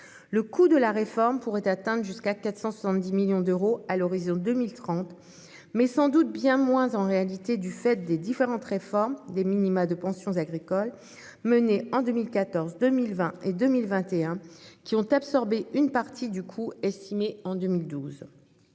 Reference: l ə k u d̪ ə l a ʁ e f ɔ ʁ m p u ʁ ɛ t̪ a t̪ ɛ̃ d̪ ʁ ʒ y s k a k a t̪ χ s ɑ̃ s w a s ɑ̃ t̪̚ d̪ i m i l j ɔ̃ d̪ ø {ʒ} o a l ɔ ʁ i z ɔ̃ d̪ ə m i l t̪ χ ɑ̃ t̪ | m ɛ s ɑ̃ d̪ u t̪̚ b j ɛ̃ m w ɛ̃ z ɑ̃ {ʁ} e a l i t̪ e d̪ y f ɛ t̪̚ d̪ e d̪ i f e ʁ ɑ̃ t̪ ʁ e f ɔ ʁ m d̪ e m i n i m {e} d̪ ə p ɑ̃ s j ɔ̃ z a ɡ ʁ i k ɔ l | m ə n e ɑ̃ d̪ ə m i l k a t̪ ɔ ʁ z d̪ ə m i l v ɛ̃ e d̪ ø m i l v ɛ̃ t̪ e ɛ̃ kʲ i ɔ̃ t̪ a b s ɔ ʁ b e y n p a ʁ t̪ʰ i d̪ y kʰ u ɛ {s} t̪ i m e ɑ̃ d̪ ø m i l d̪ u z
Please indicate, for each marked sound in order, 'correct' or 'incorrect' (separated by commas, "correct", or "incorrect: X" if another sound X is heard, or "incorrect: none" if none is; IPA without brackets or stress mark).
incorrect: ʁ, correct, incorrect: a, correct